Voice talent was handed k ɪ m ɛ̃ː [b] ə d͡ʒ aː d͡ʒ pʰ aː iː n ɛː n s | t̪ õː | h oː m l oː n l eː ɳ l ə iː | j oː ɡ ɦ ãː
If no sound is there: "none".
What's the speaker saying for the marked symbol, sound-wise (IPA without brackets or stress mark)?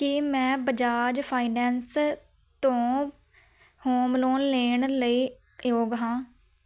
b